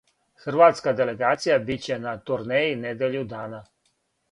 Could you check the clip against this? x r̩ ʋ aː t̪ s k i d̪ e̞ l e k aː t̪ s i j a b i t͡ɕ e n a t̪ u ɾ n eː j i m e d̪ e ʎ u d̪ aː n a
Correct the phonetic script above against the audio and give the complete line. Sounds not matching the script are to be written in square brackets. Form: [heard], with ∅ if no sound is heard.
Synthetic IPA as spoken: x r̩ ʋ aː t̪ s k [a] d̪ e̞ l e [ɡ] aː t̪ s i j a b i t͡ɕ e n a t̪ u ɾ n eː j i [n] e d̪ e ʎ u d̪ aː n a